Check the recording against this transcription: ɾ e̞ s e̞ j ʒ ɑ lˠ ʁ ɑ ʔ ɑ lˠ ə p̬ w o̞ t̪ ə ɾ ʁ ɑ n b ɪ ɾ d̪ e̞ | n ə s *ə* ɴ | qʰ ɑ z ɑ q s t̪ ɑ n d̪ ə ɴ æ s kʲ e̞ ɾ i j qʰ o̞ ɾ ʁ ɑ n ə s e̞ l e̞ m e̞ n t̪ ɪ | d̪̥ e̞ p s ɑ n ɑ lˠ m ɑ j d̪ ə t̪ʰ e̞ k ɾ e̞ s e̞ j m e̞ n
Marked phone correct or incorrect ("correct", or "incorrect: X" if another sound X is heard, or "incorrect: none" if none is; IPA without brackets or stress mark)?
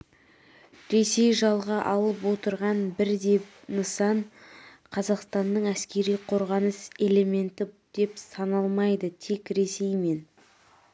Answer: incorrect: ɑ